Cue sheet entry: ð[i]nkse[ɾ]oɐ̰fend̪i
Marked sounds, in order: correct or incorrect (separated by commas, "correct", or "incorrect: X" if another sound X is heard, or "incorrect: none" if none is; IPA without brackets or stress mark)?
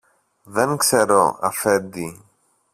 incorrect: e, correct